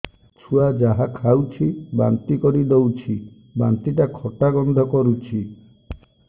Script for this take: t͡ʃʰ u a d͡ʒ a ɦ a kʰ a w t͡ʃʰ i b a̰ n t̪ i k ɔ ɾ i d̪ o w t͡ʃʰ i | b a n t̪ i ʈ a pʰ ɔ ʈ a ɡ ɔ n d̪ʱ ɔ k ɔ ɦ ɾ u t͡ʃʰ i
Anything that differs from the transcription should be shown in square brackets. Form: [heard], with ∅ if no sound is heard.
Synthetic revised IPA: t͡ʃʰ u a d͡ʒ a ɦ a kʰ a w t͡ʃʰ i b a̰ n t̪ i k ɔ ɾ i d̪ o w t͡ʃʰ i | b a n t̪ i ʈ a [kʰ] ɔ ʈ a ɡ ɔ n d̪ʱ ɔ k ɔ [∅] ɾ u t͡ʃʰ i